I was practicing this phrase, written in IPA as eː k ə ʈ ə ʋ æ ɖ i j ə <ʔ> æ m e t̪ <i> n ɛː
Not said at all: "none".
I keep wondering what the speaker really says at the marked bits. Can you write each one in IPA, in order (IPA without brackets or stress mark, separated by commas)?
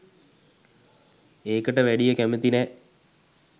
k, i